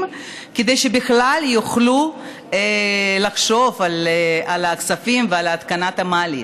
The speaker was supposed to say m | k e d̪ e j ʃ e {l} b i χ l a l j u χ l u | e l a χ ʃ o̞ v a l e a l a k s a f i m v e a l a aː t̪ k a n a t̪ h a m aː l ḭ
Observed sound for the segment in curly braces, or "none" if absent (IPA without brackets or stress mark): none